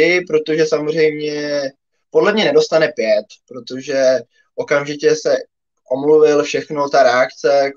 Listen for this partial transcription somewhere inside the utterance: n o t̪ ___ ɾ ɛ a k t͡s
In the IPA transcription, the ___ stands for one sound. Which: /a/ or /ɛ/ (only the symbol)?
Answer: a